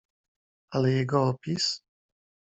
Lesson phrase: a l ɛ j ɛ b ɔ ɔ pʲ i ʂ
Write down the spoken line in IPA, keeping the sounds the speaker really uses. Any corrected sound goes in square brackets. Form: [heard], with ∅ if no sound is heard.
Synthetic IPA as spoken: a l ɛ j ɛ [ɡ] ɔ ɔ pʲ i [s]